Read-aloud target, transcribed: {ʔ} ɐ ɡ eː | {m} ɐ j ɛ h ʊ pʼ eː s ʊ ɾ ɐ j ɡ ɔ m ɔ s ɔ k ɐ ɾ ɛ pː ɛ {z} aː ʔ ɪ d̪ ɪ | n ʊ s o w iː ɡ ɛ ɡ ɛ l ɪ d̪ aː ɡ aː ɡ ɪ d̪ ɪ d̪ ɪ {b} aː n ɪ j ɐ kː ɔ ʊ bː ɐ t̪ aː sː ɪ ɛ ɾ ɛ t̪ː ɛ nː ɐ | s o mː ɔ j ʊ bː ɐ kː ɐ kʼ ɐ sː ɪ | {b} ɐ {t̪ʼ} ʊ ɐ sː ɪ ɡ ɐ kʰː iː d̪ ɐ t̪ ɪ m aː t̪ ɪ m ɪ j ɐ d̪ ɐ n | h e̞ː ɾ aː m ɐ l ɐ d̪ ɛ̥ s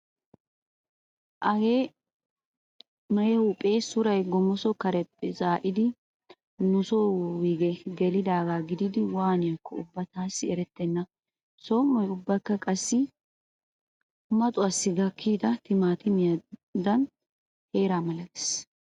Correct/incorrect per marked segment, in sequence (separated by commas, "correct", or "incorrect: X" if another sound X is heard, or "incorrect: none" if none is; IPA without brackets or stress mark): correct, correct, correct, incorrect: w, incorrect: m, correct